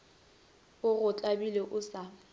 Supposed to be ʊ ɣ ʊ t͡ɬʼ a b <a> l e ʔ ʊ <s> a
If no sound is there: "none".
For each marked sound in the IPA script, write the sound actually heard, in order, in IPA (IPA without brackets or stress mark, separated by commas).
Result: i, s